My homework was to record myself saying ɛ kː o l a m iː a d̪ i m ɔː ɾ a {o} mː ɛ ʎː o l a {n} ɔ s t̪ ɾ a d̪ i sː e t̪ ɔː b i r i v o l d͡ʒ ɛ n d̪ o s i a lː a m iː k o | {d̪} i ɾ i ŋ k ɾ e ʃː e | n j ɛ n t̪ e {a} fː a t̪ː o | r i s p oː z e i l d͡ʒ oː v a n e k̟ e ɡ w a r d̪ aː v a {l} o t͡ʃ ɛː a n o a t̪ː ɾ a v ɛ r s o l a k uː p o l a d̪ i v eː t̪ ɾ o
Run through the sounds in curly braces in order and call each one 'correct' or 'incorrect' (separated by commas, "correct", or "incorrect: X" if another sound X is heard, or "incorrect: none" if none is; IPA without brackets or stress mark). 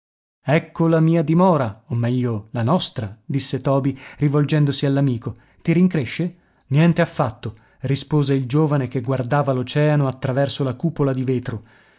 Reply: correct, correct, incorrect: t̪, correct, correct